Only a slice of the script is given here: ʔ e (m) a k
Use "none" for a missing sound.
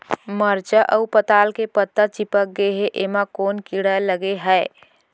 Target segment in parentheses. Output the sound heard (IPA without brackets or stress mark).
m